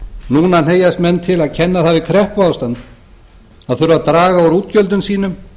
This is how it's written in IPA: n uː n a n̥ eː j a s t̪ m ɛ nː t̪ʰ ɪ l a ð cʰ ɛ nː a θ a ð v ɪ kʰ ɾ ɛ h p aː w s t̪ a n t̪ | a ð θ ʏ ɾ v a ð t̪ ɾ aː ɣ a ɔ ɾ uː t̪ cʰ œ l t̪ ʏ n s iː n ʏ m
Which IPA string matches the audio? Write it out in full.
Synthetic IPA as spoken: n uː n a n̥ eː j a s t̪ m ɛ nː t̪ʰ ɪ l a ð cʰ ɛ nː a θ a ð v ɪ kʰ ɾ ɛ h p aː w s t̪ a n t̪ | a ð θ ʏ ɾ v a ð t̪ ɾ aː ɣ a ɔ ɾ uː t̪ c œ l t̪ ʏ n s iː n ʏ m